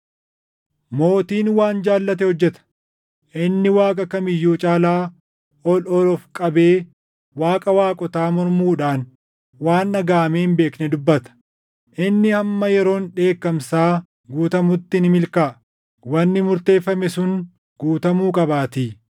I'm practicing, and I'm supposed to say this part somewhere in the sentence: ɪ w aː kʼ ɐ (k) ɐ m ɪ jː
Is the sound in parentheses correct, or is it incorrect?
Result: correct